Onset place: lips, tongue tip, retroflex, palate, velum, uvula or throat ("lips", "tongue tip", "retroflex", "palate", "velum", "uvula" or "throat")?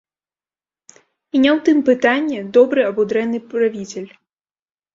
tongue tip